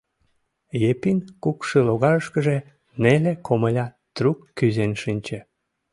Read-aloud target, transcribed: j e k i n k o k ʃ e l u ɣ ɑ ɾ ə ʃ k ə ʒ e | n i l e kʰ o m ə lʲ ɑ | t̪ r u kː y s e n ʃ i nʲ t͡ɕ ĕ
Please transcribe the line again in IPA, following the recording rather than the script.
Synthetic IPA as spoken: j e p i n k u k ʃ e l o ɣ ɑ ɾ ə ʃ k ə ʒ e | n e l e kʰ o m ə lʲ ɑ | t̪ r u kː y z e n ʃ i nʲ t͡ɕ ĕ